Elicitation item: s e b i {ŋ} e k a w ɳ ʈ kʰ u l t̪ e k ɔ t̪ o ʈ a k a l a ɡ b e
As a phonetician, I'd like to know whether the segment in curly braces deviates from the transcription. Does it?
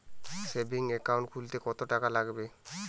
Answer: no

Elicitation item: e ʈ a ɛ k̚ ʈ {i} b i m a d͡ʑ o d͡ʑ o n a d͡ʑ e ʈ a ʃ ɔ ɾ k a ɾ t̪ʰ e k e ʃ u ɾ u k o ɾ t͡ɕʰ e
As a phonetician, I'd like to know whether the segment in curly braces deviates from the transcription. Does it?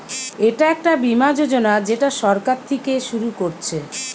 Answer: yes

